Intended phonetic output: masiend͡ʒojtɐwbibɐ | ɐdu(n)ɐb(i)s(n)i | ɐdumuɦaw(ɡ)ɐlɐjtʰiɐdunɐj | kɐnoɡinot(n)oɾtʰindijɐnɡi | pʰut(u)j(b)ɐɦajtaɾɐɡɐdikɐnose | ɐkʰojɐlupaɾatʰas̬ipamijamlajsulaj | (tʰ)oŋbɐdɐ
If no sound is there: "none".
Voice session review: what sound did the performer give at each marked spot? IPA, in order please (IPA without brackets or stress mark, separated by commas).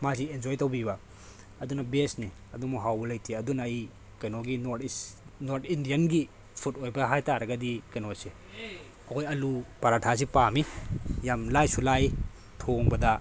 n, e, n, b, n, o, b, tʰ